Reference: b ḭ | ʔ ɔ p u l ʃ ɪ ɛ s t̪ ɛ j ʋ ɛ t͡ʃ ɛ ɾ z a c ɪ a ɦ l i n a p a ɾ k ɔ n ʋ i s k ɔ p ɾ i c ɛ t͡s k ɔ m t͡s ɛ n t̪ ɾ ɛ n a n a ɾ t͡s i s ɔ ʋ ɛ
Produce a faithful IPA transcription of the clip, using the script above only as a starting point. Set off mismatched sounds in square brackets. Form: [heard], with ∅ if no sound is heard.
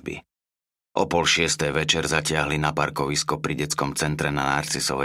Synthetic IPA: b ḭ | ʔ ɔ p [ɔ] l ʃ ɪ ɛ s t̪ ɛ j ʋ ɛ t͡ʃ ɛ ɾ z a c ɪ a ɦ l i n a p a ɾ k ɔ [∅] ʋ i s k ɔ p ɾ i [ɟ] ɛ t͡s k ɔ m t͡s ɛ n t̪ ɾ ɛ n a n a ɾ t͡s i s ɔ ʋ ɛ